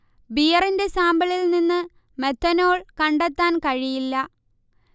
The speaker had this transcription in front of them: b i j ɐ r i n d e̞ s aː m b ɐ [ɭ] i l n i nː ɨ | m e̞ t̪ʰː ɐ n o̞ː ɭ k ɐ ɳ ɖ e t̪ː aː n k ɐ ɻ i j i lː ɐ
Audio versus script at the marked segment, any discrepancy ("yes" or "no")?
no